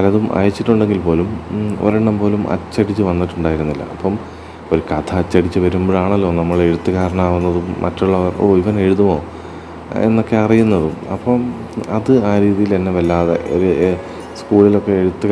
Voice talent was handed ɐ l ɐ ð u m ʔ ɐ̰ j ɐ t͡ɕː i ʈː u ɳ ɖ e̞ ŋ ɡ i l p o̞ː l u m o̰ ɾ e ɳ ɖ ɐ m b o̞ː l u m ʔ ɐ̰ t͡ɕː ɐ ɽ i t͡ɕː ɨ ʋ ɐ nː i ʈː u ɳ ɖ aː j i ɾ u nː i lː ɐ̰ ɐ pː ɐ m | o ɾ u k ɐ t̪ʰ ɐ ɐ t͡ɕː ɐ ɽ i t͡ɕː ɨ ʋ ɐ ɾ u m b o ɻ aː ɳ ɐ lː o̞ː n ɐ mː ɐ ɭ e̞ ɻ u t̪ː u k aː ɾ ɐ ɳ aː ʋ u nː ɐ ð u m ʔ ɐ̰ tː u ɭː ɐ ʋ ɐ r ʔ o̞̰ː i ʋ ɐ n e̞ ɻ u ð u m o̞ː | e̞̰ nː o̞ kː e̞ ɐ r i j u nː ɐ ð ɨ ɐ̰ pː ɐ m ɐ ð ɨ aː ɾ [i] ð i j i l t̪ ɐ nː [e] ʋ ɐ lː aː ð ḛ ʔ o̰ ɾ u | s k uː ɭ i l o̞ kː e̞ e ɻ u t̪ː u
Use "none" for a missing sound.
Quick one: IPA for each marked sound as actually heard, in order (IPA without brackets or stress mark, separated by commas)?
iː, e